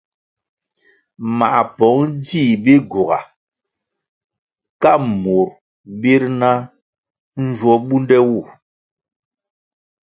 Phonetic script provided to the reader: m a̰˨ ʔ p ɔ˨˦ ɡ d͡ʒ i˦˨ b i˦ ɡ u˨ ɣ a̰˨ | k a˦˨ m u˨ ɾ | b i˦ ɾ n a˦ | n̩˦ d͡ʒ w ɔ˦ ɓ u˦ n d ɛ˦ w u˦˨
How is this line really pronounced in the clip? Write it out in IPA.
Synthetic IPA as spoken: m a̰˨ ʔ p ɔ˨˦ ŋ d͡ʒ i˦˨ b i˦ ɡ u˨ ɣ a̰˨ | k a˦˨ m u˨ ɾ | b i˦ ɾ n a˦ | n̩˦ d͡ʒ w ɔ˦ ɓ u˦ n d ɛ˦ w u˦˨